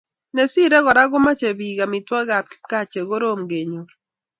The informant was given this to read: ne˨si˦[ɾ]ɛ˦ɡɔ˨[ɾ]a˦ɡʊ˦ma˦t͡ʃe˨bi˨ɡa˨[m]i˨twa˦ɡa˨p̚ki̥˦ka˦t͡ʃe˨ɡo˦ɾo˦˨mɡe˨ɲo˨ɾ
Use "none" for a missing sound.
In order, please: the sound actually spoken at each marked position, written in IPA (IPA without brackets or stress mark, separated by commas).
ɾ, ɾ, m